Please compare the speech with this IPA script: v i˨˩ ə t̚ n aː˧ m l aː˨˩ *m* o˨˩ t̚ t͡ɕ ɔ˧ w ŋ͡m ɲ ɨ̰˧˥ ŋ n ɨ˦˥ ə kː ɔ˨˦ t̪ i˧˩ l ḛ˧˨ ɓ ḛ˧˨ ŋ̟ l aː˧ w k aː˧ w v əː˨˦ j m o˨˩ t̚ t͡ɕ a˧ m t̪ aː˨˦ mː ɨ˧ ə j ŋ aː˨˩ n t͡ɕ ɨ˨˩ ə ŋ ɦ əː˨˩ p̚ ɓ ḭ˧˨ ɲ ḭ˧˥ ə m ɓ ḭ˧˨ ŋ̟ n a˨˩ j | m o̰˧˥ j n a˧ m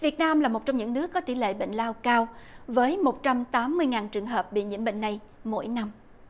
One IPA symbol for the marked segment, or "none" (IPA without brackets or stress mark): m